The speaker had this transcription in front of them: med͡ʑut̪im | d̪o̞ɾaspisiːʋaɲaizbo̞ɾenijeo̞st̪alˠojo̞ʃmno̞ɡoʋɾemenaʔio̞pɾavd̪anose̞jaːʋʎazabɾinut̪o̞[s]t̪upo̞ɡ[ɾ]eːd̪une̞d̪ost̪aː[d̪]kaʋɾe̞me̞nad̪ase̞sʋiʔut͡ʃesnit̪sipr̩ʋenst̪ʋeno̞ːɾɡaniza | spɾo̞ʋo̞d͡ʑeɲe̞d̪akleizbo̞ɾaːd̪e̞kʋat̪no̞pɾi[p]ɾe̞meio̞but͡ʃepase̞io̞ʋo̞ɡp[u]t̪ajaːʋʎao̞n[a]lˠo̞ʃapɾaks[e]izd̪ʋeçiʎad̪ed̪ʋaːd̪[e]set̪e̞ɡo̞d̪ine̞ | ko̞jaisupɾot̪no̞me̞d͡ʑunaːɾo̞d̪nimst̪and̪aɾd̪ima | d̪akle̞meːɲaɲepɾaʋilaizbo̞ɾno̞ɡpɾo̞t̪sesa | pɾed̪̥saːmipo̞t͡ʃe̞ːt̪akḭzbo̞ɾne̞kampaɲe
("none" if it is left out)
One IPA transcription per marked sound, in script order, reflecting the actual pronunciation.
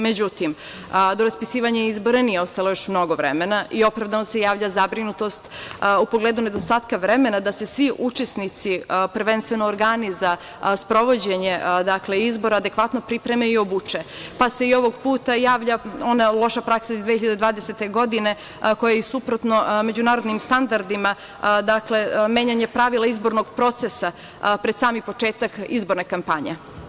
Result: s, l, t̪, p, uː, a, a, e

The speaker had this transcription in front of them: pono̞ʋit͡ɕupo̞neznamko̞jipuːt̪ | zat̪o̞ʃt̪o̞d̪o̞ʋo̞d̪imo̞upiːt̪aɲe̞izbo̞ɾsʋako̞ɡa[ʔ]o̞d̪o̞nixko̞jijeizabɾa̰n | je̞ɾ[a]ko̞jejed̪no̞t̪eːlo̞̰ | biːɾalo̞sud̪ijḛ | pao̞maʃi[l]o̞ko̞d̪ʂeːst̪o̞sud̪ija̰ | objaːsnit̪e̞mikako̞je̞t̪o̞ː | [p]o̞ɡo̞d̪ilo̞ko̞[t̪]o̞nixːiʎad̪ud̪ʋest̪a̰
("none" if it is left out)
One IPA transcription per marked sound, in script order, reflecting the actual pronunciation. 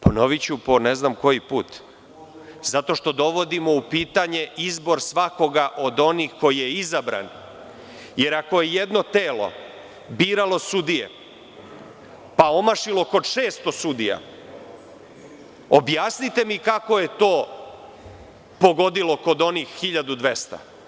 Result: ʔ, a, l, p, d̪

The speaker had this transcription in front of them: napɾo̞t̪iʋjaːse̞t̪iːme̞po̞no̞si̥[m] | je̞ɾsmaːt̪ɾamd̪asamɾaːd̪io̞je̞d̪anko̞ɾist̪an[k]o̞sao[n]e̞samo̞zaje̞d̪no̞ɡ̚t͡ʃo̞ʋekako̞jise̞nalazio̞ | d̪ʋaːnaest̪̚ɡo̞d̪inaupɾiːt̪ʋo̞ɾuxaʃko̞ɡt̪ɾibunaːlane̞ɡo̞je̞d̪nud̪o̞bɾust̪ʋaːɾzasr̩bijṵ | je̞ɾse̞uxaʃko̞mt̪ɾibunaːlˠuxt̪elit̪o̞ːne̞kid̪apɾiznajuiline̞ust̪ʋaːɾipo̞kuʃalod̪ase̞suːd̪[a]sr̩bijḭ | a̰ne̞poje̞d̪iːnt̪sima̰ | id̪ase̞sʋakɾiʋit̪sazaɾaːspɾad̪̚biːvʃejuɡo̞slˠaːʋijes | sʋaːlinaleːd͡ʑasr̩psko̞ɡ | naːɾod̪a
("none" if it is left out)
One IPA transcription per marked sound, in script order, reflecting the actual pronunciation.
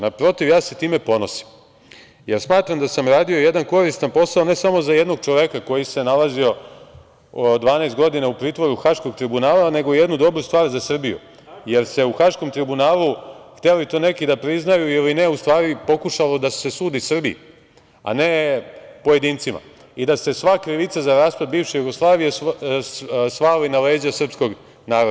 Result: m, p, n, i

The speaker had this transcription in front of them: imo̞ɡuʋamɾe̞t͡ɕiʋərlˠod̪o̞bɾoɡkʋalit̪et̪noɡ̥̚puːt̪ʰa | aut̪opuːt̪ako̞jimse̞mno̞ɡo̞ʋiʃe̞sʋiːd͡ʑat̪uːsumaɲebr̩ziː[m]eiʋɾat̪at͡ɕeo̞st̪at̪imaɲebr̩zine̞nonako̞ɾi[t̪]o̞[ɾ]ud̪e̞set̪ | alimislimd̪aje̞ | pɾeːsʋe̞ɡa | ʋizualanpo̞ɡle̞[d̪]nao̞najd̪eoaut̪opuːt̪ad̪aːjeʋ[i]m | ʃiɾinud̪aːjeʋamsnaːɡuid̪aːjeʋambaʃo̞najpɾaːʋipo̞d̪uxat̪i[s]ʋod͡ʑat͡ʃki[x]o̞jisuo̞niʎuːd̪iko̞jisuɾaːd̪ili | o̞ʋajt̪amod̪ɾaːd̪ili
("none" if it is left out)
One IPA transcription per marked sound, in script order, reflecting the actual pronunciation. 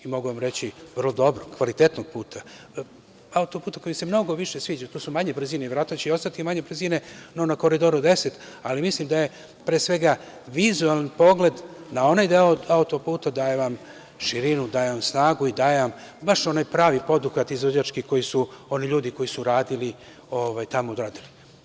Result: n, d̪, ɾ, d̪, a, z, k

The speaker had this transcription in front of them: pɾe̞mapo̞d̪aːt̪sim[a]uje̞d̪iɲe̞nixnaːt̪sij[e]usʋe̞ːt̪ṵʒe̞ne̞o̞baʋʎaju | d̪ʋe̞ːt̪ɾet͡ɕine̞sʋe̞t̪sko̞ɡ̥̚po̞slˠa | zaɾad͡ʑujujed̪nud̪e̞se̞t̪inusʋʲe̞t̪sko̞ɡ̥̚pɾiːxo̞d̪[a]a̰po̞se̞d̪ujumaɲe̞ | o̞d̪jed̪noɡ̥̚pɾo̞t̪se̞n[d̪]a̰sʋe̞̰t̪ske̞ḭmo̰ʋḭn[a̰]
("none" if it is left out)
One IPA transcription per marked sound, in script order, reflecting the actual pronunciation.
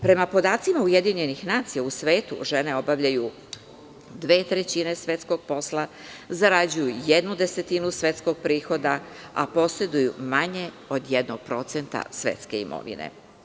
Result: a, a, a, t̪, ḛ

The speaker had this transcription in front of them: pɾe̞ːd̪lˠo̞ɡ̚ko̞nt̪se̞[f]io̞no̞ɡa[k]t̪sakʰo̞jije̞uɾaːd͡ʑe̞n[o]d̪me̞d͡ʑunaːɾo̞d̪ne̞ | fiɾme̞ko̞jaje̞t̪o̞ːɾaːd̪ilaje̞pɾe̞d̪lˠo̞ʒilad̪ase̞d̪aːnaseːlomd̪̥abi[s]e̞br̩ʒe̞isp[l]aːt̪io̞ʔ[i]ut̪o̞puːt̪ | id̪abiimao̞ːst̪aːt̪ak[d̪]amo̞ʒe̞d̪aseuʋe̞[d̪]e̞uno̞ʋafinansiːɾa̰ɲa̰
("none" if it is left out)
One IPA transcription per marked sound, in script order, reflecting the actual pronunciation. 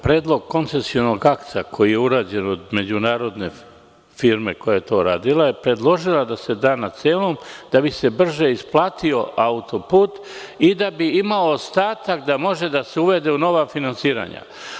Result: s, k, o, s, l, a, d̪, d̪

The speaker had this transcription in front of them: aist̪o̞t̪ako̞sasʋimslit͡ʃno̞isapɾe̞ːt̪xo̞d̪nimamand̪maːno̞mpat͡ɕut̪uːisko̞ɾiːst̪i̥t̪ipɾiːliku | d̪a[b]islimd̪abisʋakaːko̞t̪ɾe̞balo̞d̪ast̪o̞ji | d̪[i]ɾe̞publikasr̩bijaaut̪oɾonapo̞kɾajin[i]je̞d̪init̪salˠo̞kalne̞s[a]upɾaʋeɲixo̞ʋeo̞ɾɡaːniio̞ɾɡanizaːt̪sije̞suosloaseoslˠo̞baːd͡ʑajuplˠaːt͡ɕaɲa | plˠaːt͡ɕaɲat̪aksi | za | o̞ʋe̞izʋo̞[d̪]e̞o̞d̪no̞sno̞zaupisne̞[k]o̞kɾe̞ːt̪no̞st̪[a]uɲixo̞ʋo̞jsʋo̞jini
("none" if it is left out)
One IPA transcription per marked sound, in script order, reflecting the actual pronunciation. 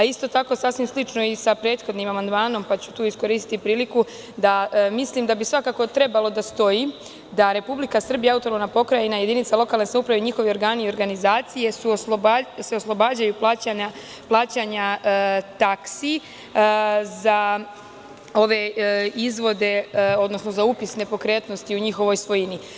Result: m, a, a, a, d̪, p, i

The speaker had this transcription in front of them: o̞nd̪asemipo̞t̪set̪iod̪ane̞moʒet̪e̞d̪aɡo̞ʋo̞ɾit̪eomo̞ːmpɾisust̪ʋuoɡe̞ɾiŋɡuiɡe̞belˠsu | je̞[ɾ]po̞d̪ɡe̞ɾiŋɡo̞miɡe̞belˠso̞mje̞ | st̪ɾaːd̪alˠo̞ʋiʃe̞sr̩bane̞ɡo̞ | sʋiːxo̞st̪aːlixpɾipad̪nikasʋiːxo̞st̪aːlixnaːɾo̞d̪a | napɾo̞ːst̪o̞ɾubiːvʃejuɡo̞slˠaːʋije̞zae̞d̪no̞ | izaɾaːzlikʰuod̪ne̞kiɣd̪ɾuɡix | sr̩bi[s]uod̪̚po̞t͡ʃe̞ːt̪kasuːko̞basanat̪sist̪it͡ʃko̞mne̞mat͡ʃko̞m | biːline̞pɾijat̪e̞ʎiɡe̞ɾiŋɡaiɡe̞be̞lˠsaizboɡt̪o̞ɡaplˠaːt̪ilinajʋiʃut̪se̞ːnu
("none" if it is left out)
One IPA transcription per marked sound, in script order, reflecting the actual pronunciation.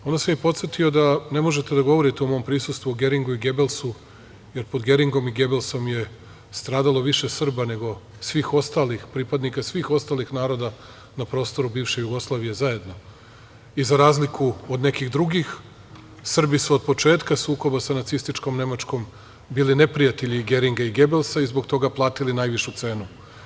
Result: ɾ, s

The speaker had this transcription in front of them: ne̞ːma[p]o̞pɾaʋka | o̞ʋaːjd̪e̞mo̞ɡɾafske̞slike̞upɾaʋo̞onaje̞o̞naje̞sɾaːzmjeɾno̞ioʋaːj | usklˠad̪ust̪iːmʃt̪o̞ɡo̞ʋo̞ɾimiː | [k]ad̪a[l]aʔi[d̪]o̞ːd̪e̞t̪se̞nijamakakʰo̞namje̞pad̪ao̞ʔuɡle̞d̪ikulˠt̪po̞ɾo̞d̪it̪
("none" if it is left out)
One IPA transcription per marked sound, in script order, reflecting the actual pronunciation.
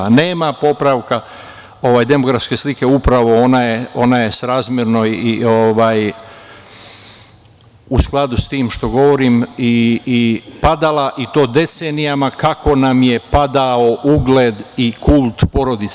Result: p, p, l, t̪

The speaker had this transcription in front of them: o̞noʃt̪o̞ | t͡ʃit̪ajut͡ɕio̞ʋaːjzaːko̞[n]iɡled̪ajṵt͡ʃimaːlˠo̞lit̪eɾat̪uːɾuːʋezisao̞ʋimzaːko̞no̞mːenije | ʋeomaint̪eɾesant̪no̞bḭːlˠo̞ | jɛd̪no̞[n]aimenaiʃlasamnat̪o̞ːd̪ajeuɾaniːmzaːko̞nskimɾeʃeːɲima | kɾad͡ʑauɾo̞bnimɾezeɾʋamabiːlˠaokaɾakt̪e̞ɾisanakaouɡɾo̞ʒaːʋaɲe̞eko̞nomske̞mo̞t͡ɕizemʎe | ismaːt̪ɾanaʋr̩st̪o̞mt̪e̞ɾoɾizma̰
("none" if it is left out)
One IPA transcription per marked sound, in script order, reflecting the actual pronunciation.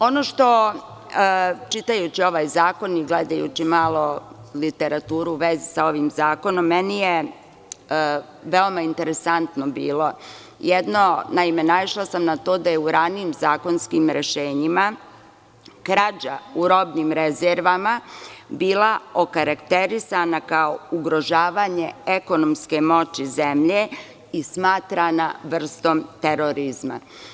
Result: n, n

